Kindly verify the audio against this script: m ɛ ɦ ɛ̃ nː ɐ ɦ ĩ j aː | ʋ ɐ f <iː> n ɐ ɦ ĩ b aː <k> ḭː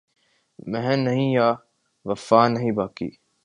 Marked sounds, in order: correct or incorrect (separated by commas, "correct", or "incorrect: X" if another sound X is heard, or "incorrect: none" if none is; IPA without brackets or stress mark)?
incorrect: aː, correct